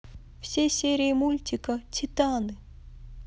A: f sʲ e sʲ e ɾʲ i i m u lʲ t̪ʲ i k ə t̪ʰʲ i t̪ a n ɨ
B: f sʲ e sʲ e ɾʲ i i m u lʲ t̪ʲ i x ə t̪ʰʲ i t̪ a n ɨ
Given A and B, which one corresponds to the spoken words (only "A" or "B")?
A